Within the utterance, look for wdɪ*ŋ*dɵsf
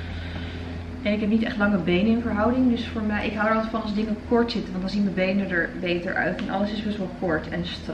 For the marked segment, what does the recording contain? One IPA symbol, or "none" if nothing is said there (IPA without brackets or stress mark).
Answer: ŋ